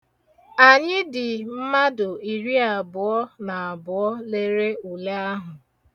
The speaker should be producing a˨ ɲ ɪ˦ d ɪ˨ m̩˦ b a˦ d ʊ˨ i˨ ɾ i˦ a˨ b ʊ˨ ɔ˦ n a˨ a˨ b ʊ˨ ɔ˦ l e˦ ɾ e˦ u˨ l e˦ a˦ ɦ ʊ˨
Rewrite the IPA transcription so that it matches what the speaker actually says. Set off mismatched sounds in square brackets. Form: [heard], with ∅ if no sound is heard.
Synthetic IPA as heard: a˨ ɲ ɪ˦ d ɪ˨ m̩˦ [m] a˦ d ʊ˨ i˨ ɾ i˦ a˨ b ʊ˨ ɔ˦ n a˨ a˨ b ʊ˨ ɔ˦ l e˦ ɾ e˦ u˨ l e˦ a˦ ɦ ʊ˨